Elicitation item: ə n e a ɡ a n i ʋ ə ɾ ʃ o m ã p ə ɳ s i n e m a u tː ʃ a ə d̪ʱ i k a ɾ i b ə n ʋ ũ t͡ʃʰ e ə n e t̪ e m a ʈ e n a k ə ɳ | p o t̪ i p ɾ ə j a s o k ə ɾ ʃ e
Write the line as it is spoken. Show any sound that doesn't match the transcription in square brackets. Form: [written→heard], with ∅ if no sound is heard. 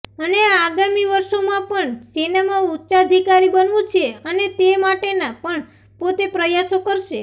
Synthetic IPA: ə n e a ɡ a [n→m] i ʋ ə ɾ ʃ o m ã p ə ɳ s i n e m a u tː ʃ a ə d̪ʱ i k a ɾ i b ə n ʋ ũ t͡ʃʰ e ə n e t̪ e m a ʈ e n a [k→p] ə ɳ | p o t̪ [i→e] p ɾ ə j a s o k ə ɾ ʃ e